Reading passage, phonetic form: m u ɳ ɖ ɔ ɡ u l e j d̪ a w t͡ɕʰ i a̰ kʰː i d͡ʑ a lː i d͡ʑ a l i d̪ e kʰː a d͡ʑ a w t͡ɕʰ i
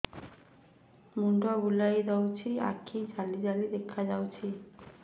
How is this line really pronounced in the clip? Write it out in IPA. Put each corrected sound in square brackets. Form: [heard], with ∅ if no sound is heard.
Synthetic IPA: m u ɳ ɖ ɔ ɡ u l [a] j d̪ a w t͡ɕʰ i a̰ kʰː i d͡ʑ a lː i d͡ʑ a l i d̪ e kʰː a d͡ʑ a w t͡ɕʰ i

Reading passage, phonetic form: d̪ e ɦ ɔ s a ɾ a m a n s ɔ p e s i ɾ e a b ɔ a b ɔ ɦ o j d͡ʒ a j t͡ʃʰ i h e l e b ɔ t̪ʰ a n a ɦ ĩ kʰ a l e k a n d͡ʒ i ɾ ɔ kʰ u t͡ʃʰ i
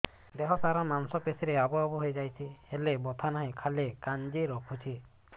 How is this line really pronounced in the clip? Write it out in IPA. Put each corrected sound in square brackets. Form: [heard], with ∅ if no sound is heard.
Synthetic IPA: d̪ e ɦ ɔ s a ɾ a m a n s ɔ p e s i ɾ e a b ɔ a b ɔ ɦ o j d͡ʒ a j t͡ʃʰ i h e l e b ɔ t̪ʰ a n a ɦ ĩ kʰ a l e k a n d͡ʒ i ɾ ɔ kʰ u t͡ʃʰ i

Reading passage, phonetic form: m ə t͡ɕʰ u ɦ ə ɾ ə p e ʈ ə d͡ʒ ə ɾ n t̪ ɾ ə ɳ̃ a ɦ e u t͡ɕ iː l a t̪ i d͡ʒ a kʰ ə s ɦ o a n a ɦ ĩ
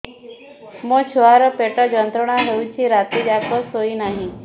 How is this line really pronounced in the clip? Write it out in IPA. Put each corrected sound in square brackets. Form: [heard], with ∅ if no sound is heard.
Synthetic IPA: m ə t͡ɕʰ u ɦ [a] ɾ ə p e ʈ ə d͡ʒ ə [∅] n t̪ ɾ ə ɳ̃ a ɦ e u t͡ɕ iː [ɾ] a t̪ i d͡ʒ a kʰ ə s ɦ o [i] n a ɦ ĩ

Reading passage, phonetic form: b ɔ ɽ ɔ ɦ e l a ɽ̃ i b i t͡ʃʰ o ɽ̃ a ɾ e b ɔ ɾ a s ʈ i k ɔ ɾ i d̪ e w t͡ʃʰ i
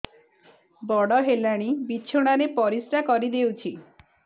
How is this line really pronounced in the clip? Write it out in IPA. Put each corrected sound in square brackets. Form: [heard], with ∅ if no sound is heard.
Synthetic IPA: b ɔ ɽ ɔ ɦ e l a ɽ̃ i b i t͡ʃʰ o ɽ̃ a ɾ e [p] ɔ ɾ [i] s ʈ [a] k ɔ ɾ i d̪ e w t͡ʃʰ i

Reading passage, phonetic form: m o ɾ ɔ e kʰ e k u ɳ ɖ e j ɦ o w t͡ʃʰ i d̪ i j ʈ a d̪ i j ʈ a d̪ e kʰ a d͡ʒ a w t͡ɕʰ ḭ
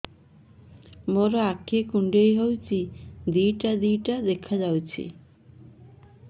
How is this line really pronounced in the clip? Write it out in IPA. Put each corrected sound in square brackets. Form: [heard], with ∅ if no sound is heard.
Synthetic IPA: m o ɾ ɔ [a] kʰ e k u ɳ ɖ e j ɦ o w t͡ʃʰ i d̪ i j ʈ a d̪ i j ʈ a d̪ e kʰ a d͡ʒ a w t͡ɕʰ ḭ

